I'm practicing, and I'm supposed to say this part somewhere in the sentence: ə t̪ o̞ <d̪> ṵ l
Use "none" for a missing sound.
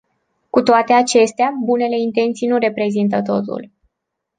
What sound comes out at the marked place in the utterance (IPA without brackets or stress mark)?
t̪